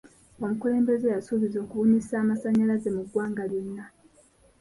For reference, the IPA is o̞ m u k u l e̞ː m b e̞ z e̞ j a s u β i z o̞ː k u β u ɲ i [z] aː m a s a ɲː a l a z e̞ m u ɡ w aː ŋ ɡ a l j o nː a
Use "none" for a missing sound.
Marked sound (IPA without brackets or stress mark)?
s